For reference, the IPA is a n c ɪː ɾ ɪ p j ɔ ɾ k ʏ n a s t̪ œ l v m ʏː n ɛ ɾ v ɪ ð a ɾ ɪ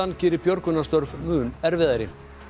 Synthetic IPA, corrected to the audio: a n c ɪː ɾ ɪ p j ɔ ɾ k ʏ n a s t̪ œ ɾ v m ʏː n ɛ ɾ v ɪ ð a ɾ ɪ